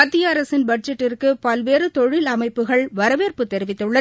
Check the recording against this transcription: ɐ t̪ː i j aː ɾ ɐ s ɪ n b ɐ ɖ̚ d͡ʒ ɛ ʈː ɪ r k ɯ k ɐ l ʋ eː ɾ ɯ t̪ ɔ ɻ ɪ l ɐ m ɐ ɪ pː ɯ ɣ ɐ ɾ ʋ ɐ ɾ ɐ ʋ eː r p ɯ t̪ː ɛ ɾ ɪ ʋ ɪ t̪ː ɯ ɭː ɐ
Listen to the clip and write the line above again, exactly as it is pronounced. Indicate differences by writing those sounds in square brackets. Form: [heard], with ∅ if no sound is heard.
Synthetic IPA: ɐ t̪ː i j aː ɾ ɐ s ɪ n b ɐ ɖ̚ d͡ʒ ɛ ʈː ɪ r k ɯ [p] ɐ l ʋ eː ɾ ɯ t̪ ɔ ɻ ɪ l ɐ m ɐ ɪ pː ɯ ɣ ɐ [ɭ] ʋ ɐ ɾ ɐ ʋ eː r p ɯ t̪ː ɛ ɾ ɪ ʋ ɪ t̪ː ɯ ɭː ɐ